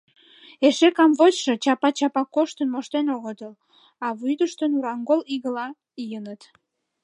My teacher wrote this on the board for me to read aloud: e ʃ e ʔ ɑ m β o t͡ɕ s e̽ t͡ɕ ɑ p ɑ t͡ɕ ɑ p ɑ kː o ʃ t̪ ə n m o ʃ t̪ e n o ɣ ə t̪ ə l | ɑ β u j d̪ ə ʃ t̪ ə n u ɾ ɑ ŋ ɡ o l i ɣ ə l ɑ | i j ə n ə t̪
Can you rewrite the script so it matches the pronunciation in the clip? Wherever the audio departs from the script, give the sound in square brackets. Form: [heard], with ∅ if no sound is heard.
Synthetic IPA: e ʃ e [k] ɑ m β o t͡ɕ [ʃ] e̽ t͡ɕ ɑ p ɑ t͡ɕ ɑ p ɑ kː o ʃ t̪ ə n m o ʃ t̪ e n o ɣ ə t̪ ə l | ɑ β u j d̪ ə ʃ t̪ ə n u ɾ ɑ ŋ ɡ o l i ɣ ə l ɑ | i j ə n ə t̪